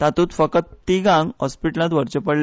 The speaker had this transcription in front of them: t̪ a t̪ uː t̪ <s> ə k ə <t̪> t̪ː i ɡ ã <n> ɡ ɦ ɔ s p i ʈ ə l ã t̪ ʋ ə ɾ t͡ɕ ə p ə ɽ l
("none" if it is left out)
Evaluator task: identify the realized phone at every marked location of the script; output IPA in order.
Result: f, t̪, ŋ

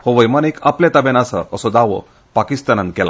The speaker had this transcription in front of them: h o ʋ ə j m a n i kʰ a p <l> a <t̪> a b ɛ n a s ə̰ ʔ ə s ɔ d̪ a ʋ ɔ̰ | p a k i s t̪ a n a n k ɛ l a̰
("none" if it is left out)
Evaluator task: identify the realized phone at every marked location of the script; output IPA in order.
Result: l, t̪

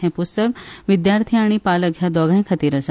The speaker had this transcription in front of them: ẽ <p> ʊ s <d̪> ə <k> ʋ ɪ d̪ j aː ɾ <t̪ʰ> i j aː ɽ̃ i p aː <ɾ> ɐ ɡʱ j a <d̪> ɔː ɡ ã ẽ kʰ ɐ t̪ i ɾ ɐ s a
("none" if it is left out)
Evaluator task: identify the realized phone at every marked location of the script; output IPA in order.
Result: p, t̪, k, t̪ʰ, l, d̪

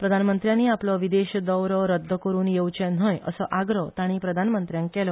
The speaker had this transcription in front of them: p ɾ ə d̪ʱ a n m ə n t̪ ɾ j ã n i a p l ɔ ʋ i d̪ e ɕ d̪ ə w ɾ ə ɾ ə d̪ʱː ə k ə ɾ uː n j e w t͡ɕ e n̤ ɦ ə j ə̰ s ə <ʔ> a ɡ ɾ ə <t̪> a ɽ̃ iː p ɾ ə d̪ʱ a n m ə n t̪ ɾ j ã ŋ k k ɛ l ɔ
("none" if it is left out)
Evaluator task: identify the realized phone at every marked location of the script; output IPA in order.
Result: ʔ, t̪

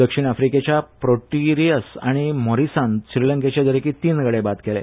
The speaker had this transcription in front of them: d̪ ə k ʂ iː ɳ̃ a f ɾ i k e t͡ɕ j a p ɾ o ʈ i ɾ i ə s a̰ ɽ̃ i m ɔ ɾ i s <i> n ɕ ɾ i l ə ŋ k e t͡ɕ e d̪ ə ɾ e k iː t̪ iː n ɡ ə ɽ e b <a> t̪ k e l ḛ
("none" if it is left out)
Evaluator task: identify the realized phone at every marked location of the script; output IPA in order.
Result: a, a

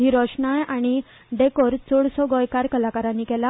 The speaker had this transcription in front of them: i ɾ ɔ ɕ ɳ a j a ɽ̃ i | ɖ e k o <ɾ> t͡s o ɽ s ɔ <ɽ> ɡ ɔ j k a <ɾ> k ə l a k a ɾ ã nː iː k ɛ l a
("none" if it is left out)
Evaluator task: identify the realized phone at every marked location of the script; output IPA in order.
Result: ɾ, none, ɾ

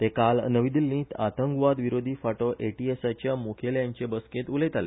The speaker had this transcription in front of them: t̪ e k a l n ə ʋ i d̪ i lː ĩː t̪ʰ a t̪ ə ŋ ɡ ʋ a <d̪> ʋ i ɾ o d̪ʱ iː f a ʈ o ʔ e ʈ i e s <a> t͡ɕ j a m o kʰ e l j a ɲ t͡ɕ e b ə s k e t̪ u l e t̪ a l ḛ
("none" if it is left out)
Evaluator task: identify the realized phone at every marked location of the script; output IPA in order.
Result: d̪, a

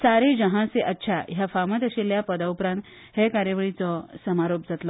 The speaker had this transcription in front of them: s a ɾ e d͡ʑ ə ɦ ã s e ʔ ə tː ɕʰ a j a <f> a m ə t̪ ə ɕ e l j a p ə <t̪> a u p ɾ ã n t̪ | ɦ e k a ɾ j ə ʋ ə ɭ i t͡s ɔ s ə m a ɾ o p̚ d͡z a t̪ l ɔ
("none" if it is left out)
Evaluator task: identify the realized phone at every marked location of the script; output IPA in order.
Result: f, d̪

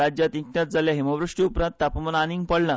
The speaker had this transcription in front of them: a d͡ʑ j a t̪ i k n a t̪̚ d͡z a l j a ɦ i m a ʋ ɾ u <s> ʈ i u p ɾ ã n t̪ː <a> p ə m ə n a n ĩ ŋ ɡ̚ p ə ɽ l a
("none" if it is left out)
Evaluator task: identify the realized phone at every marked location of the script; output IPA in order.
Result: ʂ, a

